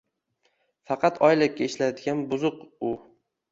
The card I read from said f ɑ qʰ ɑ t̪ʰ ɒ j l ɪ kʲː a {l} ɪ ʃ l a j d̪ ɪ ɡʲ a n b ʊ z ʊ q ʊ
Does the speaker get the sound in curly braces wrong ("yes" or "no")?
yes